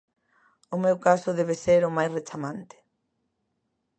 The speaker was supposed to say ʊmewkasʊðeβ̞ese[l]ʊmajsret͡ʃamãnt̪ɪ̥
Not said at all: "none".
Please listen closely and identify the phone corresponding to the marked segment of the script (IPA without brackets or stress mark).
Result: ɾ